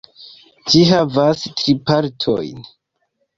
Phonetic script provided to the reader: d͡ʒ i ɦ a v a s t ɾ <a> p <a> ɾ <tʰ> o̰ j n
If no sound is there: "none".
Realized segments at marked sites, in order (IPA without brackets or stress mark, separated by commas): i, a, tʰ